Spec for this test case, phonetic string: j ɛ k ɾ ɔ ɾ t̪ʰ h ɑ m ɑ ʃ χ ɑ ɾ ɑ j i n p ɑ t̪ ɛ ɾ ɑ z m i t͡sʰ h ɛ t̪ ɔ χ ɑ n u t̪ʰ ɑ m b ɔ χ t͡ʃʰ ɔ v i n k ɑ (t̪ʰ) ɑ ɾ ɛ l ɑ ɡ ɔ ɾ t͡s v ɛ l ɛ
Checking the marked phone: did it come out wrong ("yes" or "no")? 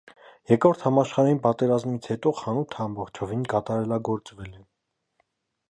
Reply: yes